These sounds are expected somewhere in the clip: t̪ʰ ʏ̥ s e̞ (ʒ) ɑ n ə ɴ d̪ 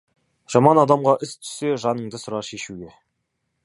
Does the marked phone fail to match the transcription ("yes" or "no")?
no